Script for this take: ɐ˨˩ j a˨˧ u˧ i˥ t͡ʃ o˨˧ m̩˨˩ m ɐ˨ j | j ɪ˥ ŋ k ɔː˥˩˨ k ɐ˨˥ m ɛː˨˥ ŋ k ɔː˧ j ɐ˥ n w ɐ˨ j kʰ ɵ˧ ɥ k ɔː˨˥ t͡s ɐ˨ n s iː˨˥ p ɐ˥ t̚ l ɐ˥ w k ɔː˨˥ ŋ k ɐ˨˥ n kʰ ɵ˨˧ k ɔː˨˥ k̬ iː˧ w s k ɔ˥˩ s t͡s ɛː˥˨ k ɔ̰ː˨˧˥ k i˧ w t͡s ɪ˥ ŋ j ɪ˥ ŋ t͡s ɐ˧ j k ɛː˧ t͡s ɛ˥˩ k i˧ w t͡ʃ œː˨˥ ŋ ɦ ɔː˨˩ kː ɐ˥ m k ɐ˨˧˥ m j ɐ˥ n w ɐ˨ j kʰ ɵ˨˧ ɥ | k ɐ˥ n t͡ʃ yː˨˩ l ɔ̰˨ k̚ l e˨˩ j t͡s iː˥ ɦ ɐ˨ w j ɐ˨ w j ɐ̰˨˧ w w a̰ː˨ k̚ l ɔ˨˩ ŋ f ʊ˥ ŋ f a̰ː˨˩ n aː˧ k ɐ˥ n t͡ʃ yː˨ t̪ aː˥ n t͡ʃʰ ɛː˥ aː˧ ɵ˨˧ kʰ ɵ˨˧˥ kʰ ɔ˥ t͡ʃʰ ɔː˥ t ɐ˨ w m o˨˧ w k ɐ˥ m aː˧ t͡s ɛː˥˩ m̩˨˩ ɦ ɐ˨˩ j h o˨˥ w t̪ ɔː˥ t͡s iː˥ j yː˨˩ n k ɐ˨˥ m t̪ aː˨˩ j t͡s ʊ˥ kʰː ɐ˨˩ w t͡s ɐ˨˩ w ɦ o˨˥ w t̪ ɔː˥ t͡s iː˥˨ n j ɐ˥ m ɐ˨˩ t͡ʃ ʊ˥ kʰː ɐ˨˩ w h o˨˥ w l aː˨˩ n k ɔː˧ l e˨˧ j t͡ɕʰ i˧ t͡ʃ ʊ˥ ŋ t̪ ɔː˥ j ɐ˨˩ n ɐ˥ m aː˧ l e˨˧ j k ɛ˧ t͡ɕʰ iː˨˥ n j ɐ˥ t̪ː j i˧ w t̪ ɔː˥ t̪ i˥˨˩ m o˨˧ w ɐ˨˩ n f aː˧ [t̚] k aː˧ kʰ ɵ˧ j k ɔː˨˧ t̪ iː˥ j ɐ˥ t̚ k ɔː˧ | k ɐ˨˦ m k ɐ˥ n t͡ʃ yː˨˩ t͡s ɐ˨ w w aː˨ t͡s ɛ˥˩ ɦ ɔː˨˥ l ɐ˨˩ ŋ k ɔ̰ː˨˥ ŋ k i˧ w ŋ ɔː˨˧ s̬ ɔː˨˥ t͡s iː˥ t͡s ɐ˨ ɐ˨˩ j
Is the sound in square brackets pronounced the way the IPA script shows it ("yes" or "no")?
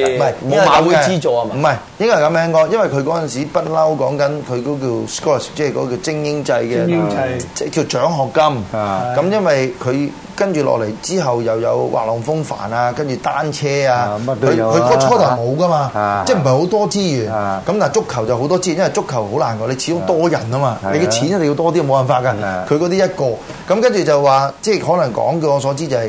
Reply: yes